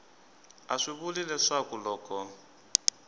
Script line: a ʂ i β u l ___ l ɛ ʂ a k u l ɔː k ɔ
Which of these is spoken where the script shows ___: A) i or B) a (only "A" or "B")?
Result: A